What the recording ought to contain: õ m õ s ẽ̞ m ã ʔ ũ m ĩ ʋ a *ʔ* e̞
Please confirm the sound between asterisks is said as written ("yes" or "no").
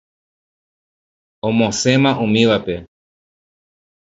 no